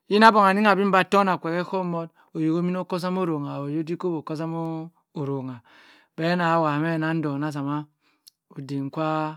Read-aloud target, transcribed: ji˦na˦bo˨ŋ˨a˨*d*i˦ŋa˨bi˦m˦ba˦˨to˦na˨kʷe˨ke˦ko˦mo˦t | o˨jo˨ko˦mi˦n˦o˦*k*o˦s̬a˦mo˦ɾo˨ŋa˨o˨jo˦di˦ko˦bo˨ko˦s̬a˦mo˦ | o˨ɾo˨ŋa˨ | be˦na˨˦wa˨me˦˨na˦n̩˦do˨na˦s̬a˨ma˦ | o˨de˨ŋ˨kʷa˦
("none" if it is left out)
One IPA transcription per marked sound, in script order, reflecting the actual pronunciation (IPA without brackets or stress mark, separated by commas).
n, k